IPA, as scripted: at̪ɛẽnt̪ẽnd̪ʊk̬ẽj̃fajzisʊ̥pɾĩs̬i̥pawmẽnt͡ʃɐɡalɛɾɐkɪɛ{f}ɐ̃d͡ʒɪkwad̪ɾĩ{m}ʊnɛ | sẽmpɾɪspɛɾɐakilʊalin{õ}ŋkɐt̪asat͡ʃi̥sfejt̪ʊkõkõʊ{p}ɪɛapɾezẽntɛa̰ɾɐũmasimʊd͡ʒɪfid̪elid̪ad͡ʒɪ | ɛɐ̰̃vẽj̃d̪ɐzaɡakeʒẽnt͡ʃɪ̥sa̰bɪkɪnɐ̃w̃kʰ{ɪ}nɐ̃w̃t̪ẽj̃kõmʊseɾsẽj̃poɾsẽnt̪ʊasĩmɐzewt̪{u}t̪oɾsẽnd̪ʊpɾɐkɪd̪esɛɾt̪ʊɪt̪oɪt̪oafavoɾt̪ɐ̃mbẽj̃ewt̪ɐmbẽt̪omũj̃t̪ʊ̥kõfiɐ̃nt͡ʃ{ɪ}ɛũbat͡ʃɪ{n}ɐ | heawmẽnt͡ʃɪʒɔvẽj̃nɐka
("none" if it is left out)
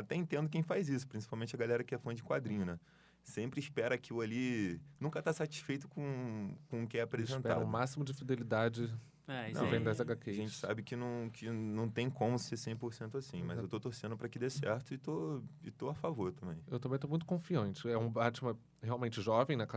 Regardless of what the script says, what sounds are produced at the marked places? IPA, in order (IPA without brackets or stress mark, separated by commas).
f, ɲ, ũ, k, ɪ, o, ɪ, m